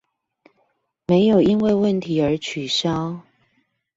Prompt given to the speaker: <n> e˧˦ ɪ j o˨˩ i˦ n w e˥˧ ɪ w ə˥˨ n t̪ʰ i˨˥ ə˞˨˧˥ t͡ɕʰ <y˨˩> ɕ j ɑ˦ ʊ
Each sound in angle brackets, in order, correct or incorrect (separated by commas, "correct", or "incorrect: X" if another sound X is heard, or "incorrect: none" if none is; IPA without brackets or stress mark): incorrect: m, correct